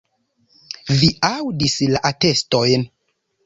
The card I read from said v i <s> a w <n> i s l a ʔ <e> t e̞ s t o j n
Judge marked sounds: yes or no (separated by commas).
no, no, no